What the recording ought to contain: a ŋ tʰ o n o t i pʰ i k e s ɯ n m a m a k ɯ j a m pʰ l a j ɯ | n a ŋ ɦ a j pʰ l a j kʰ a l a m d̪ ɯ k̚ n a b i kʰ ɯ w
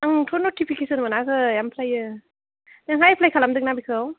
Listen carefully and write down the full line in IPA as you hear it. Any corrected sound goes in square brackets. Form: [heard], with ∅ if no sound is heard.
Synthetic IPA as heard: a ŋ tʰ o n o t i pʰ i k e s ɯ n m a [n] a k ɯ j a m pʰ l a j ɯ | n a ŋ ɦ a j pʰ l a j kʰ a l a m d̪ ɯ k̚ n a b i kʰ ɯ w